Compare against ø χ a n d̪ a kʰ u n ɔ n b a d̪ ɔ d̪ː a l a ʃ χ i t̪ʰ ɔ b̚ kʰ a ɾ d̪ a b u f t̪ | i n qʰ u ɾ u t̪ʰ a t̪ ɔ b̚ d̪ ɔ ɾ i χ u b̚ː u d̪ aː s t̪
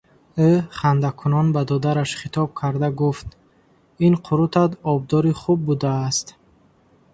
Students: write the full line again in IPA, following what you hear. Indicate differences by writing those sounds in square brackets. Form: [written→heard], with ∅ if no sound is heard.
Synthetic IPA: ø χ a n d̪ a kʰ u n ɔ n b a d̪ ɔ [d̪ː→d̪] a [l→ɾ] a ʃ χ i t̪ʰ ɔ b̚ kʰ a ɾ d̪ a [b→ɡ] u f t̪ | i n qʰ u ɾ u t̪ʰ a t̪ ɔ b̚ d̪ ɔ ɾ i χ u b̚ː u d̪ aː s t̪